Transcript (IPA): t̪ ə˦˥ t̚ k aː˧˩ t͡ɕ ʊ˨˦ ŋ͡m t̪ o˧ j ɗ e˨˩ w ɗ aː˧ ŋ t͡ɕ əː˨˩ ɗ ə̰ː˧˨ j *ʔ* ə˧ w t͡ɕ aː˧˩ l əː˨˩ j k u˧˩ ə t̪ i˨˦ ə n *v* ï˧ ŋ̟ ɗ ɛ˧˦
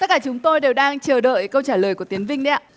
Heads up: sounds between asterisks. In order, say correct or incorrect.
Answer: incorrect: k, correct

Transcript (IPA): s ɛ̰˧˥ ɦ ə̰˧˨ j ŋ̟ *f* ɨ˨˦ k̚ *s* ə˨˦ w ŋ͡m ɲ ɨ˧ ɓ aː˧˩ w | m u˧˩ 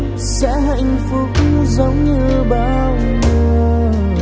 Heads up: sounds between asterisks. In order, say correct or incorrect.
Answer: correct, incorrect: z

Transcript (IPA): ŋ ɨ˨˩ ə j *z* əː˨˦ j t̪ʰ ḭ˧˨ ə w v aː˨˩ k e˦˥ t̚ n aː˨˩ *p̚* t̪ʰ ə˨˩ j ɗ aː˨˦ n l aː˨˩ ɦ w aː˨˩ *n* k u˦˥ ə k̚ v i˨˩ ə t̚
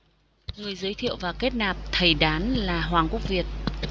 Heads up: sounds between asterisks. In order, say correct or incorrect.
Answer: correct, correct, incorrect: ŋ

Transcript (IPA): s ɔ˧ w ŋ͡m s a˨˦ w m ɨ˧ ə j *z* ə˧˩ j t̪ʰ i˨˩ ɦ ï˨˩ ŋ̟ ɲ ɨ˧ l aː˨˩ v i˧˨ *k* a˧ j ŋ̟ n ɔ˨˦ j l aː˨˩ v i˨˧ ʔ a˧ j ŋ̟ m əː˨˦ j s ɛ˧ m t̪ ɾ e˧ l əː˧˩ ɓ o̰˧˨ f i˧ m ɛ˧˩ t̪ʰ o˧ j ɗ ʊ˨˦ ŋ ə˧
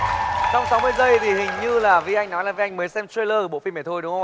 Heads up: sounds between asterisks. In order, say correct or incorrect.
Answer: correct, incorrect: ʔ

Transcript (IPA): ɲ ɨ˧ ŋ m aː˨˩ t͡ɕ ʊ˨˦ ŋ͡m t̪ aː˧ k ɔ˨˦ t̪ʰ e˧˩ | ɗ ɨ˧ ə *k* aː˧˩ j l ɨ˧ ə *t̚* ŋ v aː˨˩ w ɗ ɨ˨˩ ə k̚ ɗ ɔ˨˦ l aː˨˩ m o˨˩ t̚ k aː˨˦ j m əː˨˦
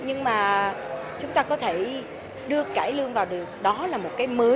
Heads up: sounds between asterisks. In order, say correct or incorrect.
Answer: correct, incorrect: none

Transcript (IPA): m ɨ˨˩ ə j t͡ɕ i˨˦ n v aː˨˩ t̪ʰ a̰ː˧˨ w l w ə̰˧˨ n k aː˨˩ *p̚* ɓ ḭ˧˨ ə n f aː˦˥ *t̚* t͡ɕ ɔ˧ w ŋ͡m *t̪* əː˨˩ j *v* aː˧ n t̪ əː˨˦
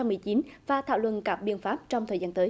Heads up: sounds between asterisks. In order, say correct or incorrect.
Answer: correct, incorrect: p̚, incorrect: t̪ʰ, incorrect: z

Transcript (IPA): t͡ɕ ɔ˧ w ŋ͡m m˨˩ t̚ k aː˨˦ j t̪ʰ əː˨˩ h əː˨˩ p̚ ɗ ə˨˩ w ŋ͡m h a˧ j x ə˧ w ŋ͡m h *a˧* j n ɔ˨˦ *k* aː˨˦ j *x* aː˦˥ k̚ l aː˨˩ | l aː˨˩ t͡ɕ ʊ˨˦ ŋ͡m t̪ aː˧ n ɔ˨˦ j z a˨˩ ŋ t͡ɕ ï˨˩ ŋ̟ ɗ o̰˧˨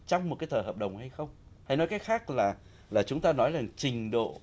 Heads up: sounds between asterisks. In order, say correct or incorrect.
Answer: correct, correct, correct

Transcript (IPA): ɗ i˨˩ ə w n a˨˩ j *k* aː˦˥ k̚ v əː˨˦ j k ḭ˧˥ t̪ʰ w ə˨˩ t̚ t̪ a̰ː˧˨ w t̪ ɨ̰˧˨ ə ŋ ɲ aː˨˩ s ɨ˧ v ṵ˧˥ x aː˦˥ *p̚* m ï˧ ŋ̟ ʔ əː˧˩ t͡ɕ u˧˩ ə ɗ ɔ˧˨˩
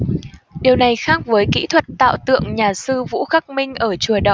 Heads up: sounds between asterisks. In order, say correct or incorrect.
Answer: incorrect: x, incorrect: k̚

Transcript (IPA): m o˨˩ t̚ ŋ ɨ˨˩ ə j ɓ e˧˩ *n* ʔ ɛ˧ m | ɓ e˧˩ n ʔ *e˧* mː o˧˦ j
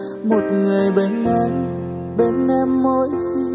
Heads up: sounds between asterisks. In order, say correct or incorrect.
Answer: correct, incorrect: ɛ˧

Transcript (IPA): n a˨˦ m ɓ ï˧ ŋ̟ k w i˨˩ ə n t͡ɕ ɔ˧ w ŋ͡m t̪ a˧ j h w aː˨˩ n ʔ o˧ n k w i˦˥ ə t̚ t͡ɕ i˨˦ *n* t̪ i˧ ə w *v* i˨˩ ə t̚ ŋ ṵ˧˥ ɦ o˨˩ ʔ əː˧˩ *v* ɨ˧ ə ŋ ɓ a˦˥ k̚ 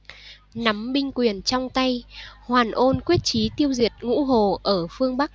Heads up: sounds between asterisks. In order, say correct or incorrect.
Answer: incorrect: none, incorrect: z, incorrect: f

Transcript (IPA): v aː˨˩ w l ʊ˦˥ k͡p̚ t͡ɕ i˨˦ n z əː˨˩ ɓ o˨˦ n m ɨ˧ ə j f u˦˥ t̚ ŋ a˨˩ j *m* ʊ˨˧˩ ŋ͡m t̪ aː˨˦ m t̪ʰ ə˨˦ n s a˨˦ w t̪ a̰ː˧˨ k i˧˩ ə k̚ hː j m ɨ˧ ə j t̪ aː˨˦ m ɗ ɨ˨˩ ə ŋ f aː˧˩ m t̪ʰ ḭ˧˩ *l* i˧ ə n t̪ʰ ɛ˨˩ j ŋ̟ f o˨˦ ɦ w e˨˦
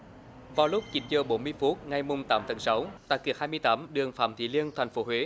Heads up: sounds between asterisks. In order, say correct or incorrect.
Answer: correct, correct

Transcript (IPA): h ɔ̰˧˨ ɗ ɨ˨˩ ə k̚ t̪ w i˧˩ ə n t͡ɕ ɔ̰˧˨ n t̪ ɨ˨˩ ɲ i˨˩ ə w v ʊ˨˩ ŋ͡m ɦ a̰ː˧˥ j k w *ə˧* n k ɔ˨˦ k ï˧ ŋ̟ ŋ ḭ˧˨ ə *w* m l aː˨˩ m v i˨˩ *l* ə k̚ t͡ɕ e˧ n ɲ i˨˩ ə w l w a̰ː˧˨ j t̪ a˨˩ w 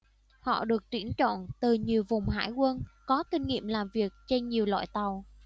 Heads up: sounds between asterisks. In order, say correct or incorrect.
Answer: correct, incorrect: none, incorrect: none

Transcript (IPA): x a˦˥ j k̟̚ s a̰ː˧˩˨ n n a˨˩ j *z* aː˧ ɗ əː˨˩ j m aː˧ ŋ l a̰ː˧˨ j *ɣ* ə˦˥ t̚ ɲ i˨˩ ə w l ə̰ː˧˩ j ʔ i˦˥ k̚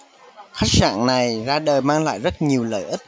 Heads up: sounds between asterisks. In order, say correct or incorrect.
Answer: correct, incorrect: z

